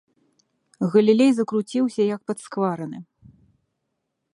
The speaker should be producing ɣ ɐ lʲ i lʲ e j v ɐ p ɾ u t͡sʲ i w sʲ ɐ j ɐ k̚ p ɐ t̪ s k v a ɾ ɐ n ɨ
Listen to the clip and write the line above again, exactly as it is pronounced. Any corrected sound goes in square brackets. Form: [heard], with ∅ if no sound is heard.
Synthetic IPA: ɣ ɐ lʲ i lʲ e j [z] ɐ [k] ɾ u t͡sʲ i w sʲ ɐ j ɐ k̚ p ɐ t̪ s k v a ɾ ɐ n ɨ